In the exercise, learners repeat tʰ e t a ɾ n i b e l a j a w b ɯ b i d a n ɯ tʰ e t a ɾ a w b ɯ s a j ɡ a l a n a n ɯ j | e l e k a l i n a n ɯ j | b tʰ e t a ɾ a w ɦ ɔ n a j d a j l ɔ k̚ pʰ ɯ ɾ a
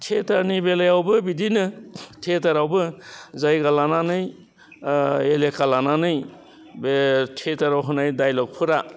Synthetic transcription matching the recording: tʰ e t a ɾ n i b e l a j a w b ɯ b i d i n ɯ tʰ e t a ɾ a w b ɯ z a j ɡ a l a n a n ɯ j | e l e k a l a n a n ɯ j | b tʰ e t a ɾ a w ɦ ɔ n a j d a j l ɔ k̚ pʰ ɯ ɾ a